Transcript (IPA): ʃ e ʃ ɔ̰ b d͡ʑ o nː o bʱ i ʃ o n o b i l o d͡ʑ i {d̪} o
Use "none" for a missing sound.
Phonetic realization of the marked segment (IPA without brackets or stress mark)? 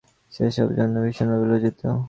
t̪